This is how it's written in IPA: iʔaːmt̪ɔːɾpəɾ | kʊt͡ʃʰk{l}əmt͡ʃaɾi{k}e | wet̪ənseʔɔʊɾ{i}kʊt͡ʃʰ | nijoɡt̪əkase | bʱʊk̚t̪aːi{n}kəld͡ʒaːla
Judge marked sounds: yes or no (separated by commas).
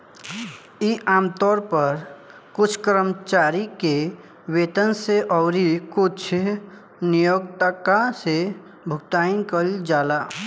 no, yes, yes, yes